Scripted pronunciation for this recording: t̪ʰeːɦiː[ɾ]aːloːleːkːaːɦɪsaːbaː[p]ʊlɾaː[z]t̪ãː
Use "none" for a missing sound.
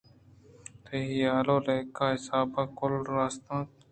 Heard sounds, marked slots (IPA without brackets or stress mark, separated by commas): none, k, s